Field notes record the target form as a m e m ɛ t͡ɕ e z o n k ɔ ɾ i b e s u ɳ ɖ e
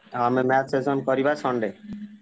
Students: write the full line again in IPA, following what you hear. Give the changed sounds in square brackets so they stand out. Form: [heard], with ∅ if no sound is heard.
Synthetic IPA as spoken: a m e m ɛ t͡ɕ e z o n k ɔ ɾ i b [a] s [ɔ] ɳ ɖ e